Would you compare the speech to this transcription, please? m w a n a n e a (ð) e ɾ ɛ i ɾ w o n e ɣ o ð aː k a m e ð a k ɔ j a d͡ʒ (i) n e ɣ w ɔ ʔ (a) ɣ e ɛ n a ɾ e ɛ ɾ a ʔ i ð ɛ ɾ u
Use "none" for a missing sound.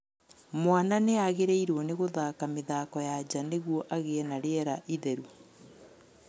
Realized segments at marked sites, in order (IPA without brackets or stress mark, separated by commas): ɣ, a, a